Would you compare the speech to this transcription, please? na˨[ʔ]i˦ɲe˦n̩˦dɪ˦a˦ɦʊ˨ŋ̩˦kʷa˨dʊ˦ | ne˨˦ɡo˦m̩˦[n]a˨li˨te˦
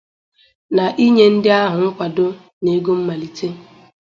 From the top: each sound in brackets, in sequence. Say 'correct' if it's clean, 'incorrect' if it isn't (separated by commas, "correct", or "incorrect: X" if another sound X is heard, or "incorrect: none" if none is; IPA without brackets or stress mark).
correct, incorrect: m